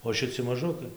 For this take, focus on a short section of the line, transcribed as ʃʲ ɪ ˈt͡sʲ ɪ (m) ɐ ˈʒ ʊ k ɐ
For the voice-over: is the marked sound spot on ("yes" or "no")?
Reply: yes